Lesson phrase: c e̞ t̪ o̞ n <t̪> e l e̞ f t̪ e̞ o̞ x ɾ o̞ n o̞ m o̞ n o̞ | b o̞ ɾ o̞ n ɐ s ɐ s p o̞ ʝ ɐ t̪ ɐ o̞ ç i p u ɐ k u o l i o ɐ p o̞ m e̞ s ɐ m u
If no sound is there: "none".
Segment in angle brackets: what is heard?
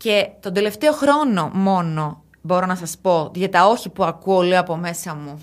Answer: d̪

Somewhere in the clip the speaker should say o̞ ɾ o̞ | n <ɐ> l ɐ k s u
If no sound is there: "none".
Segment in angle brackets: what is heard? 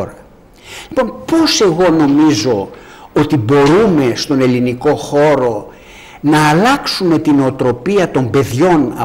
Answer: ɐː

